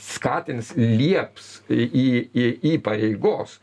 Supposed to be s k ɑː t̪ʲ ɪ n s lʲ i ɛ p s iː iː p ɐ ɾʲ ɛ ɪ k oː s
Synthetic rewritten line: s k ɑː t̪ʲ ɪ n s lʲ i ɛ p s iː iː p ɐ ɾʲ ɛ ɪ ɡ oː s